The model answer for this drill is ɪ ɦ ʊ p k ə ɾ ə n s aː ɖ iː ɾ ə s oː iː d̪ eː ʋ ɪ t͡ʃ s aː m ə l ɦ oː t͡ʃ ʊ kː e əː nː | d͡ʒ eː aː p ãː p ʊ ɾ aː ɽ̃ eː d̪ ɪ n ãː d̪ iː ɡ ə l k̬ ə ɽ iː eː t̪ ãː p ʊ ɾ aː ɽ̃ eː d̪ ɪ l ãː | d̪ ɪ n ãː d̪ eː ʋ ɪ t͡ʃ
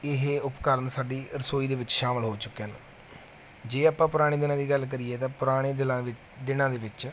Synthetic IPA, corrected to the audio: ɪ ɦ ʊ p k ə ɾ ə n s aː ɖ iː ɾ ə s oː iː d̪ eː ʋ ɪ t͡ʃ ʃ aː m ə l ɦ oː t͡ʃ ʊ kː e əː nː | d͡ʒ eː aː p ãː p ʊ ɾ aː ɽ̃ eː d̪ ɪ n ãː d̪ iː ɡ ə l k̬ ə ɾ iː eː t̪ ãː p ʊ ɾ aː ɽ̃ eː d̪ ɪ l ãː | d̪ ɪ n ãː d̪ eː ʋ ɪ t͡ʃ